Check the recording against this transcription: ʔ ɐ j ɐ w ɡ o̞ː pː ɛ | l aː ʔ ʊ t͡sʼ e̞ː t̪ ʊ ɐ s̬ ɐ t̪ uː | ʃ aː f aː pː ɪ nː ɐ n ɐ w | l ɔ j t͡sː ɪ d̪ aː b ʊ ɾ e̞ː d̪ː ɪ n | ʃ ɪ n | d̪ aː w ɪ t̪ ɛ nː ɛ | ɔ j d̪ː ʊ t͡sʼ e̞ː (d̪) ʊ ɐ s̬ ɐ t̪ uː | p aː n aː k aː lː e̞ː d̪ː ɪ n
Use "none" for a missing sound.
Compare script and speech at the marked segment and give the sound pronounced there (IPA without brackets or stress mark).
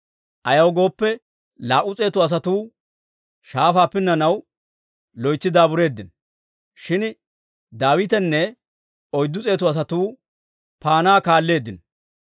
t̪